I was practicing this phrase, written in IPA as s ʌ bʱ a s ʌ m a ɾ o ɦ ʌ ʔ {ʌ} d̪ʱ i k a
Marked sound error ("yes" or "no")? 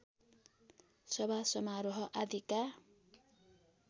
yes